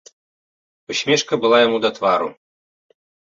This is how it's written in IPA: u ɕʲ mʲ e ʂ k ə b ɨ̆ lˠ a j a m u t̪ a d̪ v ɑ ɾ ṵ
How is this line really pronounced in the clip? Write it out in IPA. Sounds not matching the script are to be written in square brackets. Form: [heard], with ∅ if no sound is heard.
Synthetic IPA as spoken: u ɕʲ mʲ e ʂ k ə b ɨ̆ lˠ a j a m u [d̪] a [t̪] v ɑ ɾ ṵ